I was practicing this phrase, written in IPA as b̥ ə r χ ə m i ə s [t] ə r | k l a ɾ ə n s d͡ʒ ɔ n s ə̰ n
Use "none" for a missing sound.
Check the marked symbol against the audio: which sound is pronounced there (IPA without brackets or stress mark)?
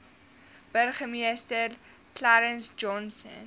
t